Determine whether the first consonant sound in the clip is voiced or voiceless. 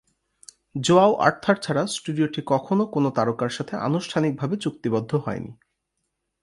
voiced